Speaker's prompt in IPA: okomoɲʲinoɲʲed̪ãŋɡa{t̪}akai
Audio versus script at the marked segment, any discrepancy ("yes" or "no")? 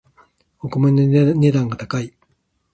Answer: no